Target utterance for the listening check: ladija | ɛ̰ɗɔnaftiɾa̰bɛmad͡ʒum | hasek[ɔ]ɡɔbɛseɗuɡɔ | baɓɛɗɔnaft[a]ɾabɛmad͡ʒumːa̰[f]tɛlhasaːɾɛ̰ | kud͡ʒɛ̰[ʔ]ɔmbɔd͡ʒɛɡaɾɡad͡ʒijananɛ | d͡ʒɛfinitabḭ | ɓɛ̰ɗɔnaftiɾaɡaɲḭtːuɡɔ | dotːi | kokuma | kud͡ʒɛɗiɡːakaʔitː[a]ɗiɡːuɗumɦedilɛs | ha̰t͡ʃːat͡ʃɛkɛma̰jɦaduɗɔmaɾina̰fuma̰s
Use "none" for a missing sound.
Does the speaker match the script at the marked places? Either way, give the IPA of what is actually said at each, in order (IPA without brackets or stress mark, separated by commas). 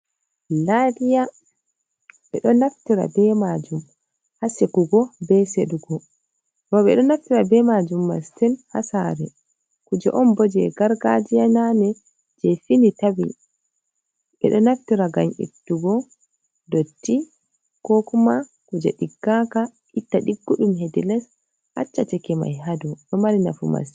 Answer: u, i, s, ʔ, a